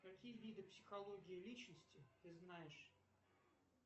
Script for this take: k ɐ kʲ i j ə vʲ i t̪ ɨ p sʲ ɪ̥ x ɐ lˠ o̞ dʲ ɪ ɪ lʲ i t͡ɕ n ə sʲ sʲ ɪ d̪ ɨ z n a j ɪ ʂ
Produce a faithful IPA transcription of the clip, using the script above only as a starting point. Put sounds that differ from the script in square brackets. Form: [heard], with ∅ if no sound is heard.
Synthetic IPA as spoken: k ɐ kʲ i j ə vʲ i [d̪] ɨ p sʲ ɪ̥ x ɐ lˠ o̞ [ɡʲ] ɪ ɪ lʲ i t͡ɕ n ə sʲ [tʲ] ɪ [t̪] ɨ z n a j ɪ ʂ